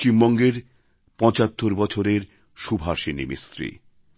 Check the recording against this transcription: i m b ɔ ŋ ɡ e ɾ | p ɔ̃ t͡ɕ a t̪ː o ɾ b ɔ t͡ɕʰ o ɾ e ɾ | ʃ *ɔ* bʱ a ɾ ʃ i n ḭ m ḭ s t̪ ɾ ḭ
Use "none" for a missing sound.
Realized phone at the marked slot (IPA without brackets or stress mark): u